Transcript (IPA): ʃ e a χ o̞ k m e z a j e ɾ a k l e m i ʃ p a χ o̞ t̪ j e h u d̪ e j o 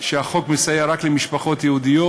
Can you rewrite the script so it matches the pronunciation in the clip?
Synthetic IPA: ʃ e a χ o̞ k m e s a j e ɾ a k l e m i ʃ p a χ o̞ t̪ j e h u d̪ i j o